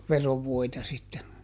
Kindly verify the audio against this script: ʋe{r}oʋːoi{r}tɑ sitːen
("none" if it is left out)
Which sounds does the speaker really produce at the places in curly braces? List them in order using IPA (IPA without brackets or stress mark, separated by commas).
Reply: r, none